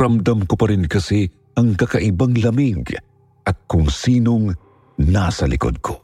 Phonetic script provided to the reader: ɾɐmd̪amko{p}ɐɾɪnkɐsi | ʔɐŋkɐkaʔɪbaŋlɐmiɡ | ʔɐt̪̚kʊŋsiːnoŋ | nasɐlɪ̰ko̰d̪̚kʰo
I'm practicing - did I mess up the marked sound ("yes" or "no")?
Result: no